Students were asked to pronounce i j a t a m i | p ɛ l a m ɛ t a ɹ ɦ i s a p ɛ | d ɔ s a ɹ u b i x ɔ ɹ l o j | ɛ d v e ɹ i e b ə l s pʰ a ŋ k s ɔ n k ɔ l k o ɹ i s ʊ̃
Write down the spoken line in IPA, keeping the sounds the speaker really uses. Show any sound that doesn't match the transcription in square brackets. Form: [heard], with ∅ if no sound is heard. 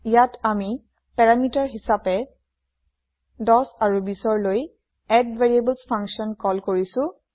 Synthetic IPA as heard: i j a t a m i | p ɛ [ɹ] a m [i] t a ɹ ɦ i s a p ɛ | d ɔ s a ɹ u b i [s] ɔ ɹ l o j | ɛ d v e ɹ i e b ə l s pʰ a ŋ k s ɔ n k ɔ l k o ɹ i s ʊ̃